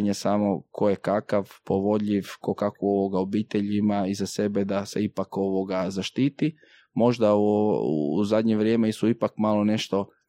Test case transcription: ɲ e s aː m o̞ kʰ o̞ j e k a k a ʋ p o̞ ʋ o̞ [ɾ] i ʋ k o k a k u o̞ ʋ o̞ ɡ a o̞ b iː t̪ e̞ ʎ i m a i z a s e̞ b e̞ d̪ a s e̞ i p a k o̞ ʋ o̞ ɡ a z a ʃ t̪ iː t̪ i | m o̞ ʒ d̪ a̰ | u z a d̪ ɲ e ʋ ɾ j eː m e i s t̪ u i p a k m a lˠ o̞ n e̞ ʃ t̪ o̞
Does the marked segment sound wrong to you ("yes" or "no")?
yes